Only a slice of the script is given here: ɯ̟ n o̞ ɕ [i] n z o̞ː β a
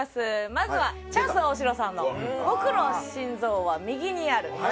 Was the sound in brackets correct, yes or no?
no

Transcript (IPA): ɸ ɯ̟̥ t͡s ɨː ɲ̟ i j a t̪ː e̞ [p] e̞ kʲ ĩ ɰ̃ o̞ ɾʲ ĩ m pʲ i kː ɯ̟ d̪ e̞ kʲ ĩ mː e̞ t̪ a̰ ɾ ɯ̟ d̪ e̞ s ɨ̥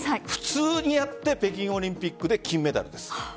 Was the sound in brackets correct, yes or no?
yes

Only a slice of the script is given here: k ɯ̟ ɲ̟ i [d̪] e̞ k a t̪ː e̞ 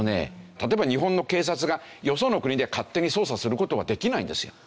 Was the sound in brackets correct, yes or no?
yes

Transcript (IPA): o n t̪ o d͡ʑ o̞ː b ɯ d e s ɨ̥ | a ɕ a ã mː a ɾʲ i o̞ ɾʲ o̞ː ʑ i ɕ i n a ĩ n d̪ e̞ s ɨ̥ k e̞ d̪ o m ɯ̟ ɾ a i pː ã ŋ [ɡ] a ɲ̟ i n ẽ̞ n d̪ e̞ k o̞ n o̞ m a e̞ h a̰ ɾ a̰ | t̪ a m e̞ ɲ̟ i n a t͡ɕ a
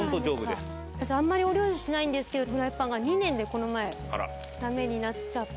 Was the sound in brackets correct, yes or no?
yes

